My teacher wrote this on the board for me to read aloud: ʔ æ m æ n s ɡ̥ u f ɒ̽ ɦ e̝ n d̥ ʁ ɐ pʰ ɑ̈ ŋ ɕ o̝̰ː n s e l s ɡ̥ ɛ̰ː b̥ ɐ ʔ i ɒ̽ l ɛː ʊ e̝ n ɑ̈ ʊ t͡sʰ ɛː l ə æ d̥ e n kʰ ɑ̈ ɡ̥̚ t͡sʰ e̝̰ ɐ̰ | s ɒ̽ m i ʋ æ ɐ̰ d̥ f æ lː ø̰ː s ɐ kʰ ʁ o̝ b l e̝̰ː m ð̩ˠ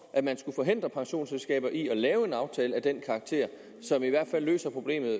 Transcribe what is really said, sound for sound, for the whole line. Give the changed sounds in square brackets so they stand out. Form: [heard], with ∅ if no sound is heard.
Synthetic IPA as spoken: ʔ æ m æ n s ɡ̥ u f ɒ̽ ɦ e̝ n d̥ ʁ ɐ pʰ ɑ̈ ŋ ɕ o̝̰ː n s e l s ɡ̥ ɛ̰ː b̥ ɐ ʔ i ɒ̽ l ɛː ʊ e̝ n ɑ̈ ʊ t͡sʰ ɛː l ə æ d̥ e n kʰ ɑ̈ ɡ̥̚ t͡sʰ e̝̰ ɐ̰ | s ɒ̽ m i ʋ æ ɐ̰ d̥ f æ lː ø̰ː s ɐ [pʰ] ʁ o̝ b l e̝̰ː m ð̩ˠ